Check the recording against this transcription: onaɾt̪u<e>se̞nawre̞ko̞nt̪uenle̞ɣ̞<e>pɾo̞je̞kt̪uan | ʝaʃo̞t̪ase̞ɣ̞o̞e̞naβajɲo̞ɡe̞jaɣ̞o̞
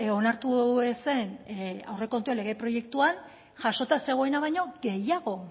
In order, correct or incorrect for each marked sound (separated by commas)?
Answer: correct, correct